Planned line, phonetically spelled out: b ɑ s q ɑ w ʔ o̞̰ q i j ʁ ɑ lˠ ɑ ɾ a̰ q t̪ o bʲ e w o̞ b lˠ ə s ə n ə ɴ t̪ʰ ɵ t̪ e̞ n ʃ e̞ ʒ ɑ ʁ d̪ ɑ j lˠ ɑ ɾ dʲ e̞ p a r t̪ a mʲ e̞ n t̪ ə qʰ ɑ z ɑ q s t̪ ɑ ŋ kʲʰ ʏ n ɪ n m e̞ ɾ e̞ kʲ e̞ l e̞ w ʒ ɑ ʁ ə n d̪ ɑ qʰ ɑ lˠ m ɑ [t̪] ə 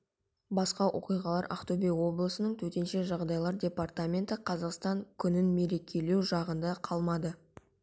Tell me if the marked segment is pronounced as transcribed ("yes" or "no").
no